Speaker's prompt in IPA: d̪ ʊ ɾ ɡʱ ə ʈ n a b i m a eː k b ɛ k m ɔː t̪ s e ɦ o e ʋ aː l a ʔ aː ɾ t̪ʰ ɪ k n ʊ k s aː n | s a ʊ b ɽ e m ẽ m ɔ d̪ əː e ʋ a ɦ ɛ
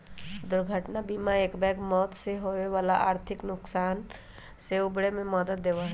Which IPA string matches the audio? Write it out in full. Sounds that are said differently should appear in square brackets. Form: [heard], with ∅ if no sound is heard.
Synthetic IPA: d̪ ʊ ɾ ɡʱ ə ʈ n a b i m a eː k b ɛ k m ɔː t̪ s e ɦ o e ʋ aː l a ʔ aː ɾ t̪ʰ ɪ k n ʊ k s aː n | s [e] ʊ b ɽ e m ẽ m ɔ d̪ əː e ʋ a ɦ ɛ